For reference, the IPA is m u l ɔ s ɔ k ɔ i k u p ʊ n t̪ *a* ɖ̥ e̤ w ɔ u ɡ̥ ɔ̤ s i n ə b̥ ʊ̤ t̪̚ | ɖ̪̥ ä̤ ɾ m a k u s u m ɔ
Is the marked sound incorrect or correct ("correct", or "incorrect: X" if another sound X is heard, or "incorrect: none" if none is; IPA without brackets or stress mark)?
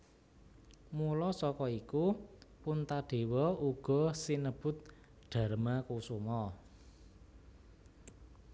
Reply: correct